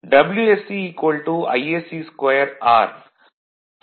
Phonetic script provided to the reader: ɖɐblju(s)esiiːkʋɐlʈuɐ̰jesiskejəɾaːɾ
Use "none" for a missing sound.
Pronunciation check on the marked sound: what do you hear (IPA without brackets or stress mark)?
none